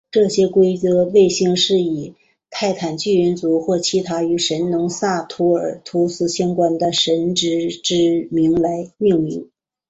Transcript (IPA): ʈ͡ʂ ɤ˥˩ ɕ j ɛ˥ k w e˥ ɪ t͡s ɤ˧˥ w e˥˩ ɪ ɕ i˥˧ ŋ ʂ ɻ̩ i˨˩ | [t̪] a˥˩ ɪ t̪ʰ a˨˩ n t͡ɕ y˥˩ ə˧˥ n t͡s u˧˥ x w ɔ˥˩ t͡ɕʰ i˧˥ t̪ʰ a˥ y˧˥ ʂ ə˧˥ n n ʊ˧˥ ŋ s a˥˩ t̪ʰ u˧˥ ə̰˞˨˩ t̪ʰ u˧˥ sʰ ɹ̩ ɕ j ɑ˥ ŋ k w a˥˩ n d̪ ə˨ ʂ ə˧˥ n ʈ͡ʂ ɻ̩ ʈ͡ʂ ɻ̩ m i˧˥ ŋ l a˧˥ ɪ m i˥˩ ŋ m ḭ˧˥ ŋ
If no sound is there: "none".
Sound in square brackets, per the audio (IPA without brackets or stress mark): t̪ʰ